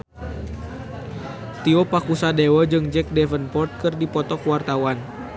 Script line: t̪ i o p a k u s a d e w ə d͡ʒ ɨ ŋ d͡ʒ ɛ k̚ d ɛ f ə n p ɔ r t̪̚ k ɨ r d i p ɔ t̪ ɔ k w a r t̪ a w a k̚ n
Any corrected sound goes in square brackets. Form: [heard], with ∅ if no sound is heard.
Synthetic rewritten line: t̪ i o p a k u s a d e w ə d͡ʒ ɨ ŋ d͡ʒ ɛ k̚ d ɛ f ə n p ɔ r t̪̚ k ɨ r d i p ɔ t̪ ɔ k w a r t̪ a w a [∅] n